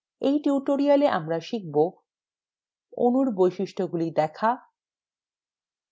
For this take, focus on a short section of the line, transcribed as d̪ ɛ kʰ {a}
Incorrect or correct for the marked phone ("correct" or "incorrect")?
correct